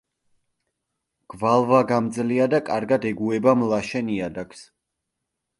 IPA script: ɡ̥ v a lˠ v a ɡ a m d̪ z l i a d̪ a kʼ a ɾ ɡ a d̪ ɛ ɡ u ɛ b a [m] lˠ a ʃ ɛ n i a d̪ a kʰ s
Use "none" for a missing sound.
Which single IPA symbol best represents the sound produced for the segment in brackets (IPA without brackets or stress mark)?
m